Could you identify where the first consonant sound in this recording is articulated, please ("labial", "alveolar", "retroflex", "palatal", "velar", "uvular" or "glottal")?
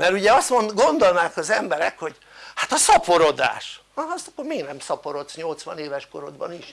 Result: labial